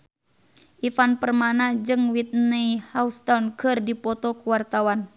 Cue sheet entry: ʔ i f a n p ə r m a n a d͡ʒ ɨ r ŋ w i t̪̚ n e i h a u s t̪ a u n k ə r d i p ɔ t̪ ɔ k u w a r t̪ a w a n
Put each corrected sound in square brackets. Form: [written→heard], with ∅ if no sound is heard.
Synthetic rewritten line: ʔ i f a n p ə r m a n a d͡ʒ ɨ [r→∅] ŋ w i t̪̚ n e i h a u s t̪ a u n k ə r d i p ɔ t̪ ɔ k u w a r t̪ a w a n